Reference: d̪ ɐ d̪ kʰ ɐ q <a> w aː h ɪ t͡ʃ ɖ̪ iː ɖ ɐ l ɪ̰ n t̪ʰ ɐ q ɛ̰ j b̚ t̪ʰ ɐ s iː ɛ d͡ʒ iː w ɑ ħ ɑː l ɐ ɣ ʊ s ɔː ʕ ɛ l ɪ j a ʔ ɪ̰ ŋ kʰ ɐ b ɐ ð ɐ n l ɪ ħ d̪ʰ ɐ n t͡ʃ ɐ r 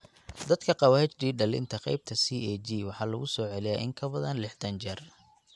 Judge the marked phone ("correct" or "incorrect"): incorrect